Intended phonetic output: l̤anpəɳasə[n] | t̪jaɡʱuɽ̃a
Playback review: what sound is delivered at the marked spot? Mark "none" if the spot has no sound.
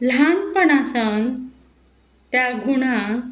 n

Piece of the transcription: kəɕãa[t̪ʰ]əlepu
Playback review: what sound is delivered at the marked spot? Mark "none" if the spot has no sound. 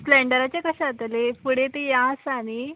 t̪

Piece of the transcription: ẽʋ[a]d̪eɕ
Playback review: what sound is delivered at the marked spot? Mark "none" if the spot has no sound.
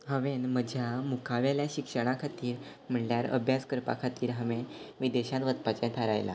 i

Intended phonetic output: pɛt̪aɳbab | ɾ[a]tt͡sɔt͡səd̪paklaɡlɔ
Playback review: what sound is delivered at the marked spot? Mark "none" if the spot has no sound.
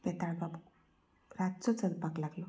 a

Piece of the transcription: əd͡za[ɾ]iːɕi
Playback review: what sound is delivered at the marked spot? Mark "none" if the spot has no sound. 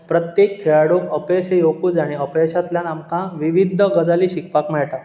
l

